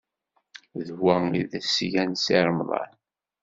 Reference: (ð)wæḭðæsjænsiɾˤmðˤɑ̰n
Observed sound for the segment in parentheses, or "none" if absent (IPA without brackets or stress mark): ð